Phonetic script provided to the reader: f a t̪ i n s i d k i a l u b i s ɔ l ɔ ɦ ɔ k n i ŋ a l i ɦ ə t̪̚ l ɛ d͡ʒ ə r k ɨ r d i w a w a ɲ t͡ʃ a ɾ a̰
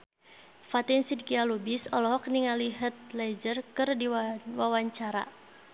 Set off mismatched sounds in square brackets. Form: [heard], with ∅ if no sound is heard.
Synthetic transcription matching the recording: f a t̪ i n s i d k i a l u b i s ɔ l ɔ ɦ ɔ k n i ŋ a l i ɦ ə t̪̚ l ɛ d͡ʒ ə r k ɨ r d i w a w a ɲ t͡ʃ a ɾ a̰